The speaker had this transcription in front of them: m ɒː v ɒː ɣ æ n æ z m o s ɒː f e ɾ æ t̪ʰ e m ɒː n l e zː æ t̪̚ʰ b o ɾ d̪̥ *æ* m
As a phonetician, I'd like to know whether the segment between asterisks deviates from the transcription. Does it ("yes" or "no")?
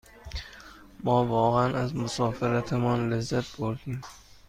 yes